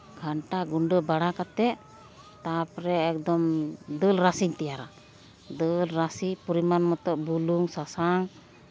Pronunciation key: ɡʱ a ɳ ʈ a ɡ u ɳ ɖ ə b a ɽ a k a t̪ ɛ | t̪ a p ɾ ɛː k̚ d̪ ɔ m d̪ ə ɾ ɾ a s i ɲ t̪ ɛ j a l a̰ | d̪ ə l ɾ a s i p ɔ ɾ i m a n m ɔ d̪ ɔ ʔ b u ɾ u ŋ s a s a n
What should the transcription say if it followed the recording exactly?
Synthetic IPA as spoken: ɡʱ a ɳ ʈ a ɡ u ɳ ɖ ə b a ɽ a k a t̪ ɛ | t̪ a p ɾ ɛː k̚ d̪ ɔ m d̪ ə l ɾ a s i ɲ t̪ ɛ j a ɾ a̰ | d̪ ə l ɾ a s i p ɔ ɾ i m a n m ɔ t̪ ɔ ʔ b u l u ŋ s a s a ŋ